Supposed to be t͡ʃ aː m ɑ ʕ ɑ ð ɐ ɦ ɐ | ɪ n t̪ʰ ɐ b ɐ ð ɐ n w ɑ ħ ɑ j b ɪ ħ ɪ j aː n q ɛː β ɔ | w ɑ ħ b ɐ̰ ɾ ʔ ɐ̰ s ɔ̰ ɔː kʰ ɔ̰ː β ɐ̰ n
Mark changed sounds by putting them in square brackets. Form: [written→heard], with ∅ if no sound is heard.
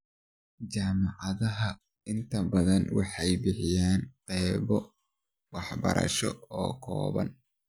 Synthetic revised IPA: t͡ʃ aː m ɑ ʕ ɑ ð ɐ ɦ ɐ | ɪ n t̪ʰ ɐ b ɐ ð ɐ n w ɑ ħ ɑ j b ɪ ħ ɪ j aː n q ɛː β ɔ | w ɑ ħ b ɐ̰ ɾ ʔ ɐ̰ [s→ʃ] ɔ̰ ɔː kʰ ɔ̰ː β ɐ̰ n

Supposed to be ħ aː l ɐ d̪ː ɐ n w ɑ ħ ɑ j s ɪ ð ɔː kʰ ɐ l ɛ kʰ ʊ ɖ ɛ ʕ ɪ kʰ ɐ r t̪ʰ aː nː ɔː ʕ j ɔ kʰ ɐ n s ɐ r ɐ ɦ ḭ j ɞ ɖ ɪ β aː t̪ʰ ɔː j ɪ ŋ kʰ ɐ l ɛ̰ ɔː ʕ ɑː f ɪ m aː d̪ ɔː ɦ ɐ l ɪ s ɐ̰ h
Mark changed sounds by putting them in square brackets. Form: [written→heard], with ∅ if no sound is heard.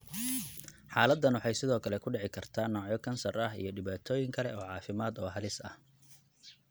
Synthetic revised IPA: ħ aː l ɐ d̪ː ɐ n w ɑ ħ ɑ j s ɪ ð ɔː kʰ ɐ l ɛ kʰ ʊ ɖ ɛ ʕ ɪ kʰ ɐ r t̪ʰ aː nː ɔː ʕ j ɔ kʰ ɐ n s ɐ r ɐ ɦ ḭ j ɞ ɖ ɪ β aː t̪ʰ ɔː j ɪ ŋ kʰ ɐ l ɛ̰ ɔː ʕ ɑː f ɪ m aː d̪ ɔː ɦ ɐ l ɪ s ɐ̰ h

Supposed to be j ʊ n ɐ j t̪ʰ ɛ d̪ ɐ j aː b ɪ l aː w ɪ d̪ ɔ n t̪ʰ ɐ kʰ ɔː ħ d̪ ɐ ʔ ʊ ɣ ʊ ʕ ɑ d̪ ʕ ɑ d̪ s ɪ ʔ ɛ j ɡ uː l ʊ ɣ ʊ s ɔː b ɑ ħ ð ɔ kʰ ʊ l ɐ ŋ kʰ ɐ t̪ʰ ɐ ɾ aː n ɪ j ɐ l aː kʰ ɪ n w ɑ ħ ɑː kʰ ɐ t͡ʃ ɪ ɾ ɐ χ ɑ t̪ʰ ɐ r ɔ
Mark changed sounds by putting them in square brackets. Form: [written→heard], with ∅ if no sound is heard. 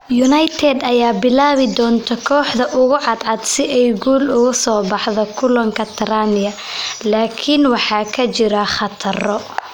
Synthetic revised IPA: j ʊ n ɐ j t̪ʰ ɛ d̪ ɐ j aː b ɪ l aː [w→β] ɪ d̪ [ɔ→ɔː] n t̪ʰ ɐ kʰ ɔː ħ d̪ ɐ ʔ ʊ ɣ ʊ ʕ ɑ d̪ ʕ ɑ d̪ s ɪ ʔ ɛ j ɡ uː l ʊ ɣ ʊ s ɔː b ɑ ħ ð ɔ kʰ ʊ l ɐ ŋ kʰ ɐ t̪ʰ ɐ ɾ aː n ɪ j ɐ l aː kʰ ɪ n w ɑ ħ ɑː kʰ ɐ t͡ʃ ɪ ɾ ɐ χ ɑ t̪ʰ ɐ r ɔ

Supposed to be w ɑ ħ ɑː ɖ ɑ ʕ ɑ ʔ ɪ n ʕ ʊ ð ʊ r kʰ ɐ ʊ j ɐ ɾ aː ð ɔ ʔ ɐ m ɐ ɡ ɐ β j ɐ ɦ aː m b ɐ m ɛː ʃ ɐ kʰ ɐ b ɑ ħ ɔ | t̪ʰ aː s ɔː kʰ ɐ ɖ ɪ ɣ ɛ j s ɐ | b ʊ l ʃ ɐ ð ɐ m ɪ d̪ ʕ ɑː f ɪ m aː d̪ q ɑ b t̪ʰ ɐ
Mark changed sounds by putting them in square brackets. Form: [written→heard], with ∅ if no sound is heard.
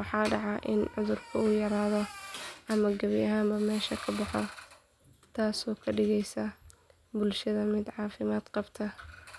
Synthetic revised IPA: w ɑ ħ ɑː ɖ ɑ ʕ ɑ ʔ ɪ n ʕ ʊ ð ʊ r kʰ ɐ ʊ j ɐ ɾ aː ð ɔ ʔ ɐ m ɐ ɡ ɐ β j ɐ ɦ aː m b ɐ m ɛː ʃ ɐ kʰ ɐ b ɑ ħ ɔ | t̪ʰ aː s ɔː kʰ ɐ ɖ ɪ ɣ ɛ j s ɐ | b ʊ l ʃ ɐ ð ɐ m ɪ d̪ ʕ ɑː f ɪ m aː d̪ q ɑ b t̪ʰ ɐ

